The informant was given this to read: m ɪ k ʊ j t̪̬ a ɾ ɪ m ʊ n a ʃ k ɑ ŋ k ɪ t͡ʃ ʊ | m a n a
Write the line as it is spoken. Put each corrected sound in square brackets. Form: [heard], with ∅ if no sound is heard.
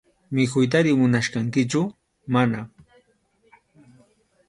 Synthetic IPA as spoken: m ɪ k ʊ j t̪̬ a ɾ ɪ m ʊ n a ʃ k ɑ ŋ k ɪ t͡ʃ ʊ | m a n a